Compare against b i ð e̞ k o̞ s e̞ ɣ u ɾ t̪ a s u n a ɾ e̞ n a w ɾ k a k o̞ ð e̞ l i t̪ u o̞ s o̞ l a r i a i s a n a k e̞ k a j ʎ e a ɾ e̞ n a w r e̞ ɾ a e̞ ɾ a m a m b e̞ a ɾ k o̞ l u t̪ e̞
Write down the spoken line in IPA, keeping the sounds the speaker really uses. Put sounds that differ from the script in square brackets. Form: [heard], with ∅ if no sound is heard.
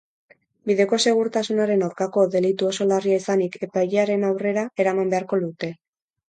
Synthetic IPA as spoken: b i ð e̞ k o̞ s e̞ ɣ u ɾ t̪ a s u n a ɾ e̞ n a w ɾ k a k o̞ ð e̞ l i t̪ u o̞ s o̞ l a r i a i s a n [i] k e̞ [p] a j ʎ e a ɾ e̞ n a w r e̞ ɾ a e̞ ɾ a m a m b e̞ a ɾ k o̞ l u t̪ e̞